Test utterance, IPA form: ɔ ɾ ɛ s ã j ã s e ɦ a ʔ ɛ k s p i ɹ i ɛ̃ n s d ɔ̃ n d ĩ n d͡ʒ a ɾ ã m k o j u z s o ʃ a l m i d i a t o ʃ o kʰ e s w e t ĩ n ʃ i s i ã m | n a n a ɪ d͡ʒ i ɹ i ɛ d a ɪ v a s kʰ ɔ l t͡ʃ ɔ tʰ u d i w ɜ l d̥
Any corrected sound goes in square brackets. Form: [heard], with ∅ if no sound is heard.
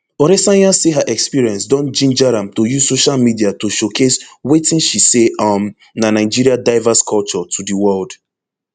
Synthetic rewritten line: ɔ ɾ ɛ s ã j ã s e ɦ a ʔ ɛ k s p i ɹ i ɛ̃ n s d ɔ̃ n [d͡ʒ] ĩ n d͡ʒ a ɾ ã m [t] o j u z s o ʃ a l m i d i a t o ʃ o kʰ e s w e t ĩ n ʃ i s [e] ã m | n a n a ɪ d͡ʒ i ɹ i [a] d a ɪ v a s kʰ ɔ l t͡ʃ ɔ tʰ u d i w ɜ l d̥